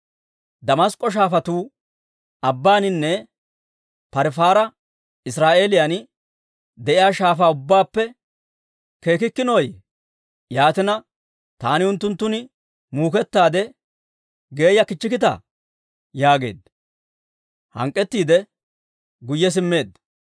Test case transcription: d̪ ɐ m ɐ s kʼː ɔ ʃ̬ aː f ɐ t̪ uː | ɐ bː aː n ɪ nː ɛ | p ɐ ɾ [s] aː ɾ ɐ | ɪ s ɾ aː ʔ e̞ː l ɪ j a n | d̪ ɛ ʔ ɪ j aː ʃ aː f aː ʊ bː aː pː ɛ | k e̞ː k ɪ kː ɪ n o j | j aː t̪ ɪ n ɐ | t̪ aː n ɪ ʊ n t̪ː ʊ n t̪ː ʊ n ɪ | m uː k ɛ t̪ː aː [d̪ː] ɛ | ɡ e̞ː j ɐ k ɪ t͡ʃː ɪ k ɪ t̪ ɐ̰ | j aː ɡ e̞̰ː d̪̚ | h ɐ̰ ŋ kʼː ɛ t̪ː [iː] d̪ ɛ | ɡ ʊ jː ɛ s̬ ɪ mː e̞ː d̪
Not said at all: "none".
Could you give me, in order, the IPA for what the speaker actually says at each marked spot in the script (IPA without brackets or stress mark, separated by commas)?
f, d̪, iː